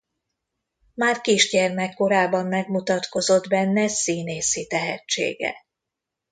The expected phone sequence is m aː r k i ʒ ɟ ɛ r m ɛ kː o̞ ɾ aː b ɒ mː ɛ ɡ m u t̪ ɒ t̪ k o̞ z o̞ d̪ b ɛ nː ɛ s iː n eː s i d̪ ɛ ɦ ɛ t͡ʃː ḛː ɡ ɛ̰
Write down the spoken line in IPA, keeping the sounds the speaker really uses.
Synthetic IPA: m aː r k i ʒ ɟ ɛ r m ɛ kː o̞ ɾ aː b ɒ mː ɛ ɡ m u t̪ ɒ t̪ k o̞ z o̞ d̪ b ɛ nː ɛ s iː n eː s i t̪ ɛ ɦ ɛ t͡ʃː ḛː ɡ ɛ̰